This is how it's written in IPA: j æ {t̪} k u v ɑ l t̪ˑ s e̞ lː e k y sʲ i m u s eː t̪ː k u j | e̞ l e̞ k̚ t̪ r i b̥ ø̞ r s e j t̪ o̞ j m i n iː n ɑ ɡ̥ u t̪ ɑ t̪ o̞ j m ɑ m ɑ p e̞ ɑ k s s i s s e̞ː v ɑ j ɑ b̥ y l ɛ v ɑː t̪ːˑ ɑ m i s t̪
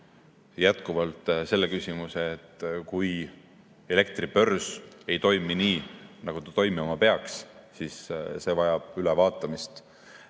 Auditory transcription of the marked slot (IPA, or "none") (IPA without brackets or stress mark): t̪